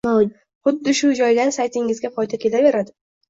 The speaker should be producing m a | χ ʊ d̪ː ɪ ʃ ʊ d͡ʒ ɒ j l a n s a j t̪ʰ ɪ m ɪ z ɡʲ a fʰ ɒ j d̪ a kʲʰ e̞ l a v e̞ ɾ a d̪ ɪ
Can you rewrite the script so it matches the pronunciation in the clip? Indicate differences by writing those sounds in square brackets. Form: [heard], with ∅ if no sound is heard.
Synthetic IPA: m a | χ ʊ d̪ː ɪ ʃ ʊ d͡ʒ ɒ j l a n s a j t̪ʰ ɪ [ŋ] ɪ z ɡʲ a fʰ ɒ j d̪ a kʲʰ e̞ l a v e̞ ɾ a d̪ ɪ